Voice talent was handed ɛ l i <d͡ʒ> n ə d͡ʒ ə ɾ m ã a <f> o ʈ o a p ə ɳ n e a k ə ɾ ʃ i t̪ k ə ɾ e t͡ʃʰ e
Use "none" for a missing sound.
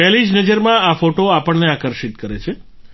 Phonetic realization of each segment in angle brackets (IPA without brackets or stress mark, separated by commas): d͡ʒ, f